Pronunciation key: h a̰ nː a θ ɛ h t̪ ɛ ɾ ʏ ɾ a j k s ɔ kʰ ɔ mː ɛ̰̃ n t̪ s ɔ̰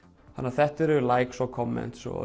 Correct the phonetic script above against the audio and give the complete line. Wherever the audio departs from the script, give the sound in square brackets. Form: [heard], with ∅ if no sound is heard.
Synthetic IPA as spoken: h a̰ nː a θ ɛ h t̪ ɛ ɾ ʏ [l] a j k s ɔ kʰ ɔ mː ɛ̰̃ n t̪ s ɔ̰